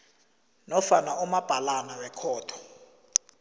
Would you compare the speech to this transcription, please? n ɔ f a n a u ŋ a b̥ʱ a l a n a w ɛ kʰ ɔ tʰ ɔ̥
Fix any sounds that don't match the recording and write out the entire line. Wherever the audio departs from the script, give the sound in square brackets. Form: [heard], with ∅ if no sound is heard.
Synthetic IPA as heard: n ɔ f a n a u [m] a b̥ʱ a l a n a w ɛ kʰ [ɔː] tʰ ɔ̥